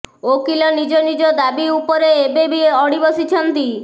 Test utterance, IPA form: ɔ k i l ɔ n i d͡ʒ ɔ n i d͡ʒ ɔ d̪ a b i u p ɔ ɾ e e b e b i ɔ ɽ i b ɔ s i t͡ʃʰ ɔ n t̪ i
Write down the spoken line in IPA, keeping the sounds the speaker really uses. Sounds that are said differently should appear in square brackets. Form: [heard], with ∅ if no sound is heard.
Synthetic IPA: [o] k i l ɔ n i d͡ʒ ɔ n i d͡ʒ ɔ d̪ a b i u p ɔ ɾ e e b e b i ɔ ɽ i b ɔ s i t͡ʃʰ ɔ n t̪ i